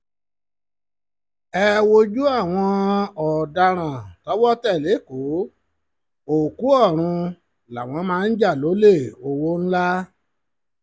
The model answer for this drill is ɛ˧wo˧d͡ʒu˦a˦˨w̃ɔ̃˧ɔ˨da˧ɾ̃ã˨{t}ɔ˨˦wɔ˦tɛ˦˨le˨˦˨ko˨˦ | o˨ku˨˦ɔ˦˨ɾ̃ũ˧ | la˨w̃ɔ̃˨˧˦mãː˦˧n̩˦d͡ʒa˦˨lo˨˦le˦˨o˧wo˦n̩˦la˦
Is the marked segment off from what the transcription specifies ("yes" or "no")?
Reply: no